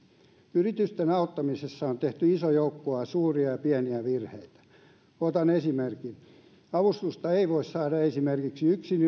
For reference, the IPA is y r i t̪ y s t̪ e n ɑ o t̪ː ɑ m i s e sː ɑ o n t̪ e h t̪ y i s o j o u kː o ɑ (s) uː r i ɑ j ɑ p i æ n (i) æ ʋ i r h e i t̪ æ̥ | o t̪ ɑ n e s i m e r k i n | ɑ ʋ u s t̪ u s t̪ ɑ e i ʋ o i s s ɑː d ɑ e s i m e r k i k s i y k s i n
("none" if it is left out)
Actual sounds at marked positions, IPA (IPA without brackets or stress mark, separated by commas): s, i